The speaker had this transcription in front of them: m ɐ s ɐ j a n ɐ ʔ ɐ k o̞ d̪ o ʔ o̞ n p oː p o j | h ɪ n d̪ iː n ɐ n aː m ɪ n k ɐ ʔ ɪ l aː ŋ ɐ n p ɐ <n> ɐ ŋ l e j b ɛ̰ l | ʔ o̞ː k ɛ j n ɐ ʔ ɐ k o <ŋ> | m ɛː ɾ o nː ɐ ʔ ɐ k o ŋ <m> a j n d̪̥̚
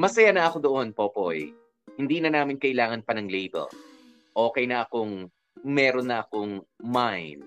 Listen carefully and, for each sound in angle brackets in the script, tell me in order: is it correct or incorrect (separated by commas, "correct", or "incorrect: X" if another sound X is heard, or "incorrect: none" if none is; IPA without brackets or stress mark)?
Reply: correct, correct, correct